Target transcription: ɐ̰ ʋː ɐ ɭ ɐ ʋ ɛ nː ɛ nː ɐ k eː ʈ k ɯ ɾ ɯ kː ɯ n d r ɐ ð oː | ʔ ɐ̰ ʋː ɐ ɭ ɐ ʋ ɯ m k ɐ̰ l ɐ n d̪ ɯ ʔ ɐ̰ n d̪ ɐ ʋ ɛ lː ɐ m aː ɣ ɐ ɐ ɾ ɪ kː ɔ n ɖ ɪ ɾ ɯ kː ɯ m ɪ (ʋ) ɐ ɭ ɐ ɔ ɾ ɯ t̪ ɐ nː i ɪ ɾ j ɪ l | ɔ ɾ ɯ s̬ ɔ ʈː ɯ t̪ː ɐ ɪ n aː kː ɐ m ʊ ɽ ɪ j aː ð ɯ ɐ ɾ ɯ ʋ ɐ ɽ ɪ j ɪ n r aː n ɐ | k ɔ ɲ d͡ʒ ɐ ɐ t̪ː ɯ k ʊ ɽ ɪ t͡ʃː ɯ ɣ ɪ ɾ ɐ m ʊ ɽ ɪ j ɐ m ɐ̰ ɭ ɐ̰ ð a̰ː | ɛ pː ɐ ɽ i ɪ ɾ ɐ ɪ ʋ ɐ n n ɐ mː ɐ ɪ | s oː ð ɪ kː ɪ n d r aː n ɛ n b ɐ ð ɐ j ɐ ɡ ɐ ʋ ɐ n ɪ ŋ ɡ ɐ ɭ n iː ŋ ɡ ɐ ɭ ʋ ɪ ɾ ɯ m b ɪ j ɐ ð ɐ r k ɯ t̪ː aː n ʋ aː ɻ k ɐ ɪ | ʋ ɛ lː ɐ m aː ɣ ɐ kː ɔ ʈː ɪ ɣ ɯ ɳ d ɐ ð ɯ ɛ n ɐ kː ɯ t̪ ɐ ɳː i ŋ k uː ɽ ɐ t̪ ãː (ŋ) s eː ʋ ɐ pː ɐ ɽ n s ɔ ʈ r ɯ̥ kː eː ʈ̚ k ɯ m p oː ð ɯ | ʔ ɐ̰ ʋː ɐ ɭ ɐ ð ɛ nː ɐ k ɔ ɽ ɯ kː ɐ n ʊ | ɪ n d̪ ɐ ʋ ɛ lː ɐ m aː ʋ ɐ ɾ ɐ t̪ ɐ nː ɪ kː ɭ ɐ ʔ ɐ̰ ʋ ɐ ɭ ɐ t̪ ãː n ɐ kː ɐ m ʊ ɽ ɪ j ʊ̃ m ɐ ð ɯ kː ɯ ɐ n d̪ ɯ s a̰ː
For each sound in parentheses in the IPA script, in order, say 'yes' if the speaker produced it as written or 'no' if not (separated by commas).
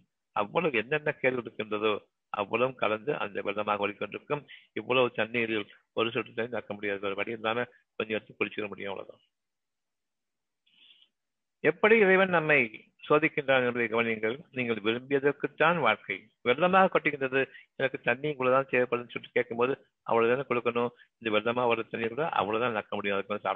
no, no